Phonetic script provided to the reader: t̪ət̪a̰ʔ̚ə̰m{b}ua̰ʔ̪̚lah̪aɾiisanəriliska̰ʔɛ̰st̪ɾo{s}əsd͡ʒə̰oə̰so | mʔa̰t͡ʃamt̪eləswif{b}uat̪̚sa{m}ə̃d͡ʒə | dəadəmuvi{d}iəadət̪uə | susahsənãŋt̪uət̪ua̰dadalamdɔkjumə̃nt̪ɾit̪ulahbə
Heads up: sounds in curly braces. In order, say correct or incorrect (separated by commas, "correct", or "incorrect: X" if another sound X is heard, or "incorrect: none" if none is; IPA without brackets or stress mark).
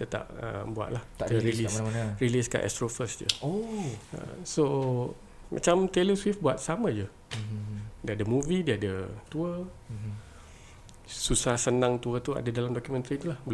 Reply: correct, incorrect: f, correct, correct, correct